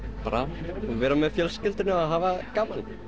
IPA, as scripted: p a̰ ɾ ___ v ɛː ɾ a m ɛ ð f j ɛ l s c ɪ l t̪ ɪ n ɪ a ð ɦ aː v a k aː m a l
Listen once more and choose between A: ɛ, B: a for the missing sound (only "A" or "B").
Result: B